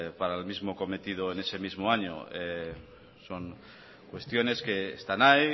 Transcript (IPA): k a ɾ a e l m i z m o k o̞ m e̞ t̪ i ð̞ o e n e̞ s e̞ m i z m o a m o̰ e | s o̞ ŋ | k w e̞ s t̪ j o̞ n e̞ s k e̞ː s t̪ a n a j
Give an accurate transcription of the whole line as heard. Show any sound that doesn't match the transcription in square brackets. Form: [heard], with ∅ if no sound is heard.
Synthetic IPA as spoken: [p] a ɾ a e l m i z m o k o̞ m e̞ t̪ i ð̞ o e n e̞ s e̞ m i z m o a [ɲ] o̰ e | s o̞ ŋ | k w e̞ s t̪ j o̞ n e̞ s k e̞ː s t̪ a n a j